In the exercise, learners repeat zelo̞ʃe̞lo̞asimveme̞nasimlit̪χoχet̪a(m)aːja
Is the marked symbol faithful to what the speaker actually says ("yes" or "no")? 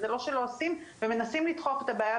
no